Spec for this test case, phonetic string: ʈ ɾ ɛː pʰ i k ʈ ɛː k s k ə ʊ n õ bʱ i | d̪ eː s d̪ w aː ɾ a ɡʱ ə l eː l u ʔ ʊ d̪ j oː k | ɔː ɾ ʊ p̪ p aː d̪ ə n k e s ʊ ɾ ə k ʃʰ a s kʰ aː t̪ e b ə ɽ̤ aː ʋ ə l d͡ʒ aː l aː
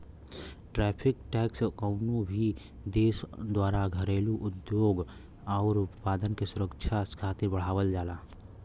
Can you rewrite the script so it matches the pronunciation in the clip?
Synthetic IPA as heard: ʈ ɾ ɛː pʰ ɪ k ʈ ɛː k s k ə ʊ n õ bʱ i | d̪ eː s d̪ w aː ɾ a ɡʱ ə ɾ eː l u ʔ ʊ d̪ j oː ɡ | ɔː ɾ ʊ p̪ p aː d̪ ə n k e s ʊ ɾ ə k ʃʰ a s kʰ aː t̪ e b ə ɽ̤ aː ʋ ə l d͡ʒ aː l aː